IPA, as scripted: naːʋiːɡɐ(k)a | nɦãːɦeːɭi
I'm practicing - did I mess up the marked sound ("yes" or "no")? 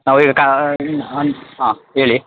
no